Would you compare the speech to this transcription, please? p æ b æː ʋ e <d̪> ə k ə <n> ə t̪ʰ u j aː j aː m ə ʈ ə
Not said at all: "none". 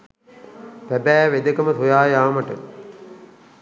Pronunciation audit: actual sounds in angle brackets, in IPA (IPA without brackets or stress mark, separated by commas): d̪, m